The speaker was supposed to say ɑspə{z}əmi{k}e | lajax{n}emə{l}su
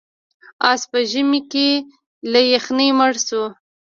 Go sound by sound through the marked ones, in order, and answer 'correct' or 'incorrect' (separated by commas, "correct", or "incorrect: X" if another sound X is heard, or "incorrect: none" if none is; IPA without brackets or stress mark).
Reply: incorrect: ʒ, correct, correct, incorrect: ɽ